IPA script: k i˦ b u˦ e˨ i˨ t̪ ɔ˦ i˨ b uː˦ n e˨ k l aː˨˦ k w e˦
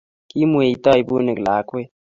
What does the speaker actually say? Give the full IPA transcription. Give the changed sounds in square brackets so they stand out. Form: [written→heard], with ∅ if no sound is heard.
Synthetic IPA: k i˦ [b→m] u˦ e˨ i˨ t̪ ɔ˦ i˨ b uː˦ n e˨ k l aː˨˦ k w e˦